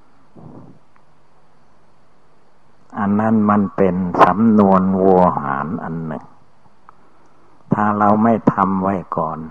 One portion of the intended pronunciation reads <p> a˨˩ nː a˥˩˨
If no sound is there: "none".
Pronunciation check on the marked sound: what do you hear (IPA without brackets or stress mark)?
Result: ʔ